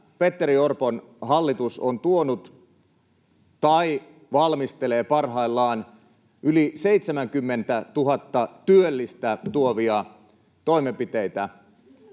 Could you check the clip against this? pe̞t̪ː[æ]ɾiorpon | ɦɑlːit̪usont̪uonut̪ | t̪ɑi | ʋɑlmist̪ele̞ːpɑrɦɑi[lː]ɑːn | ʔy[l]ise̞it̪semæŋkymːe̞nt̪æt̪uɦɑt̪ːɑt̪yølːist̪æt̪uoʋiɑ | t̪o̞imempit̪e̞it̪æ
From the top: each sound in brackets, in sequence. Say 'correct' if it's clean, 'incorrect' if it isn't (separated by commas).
incorrect, correct, correct